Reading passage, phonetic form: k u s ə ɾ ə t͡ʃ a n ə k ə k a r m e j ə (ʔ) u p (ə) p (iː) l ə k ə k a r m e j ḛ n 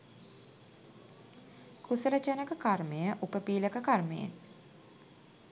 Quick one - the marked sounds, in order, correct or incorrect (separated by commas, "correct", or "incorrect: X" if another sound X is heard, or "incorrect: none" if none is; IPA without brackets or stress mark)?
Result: correct, correct, correct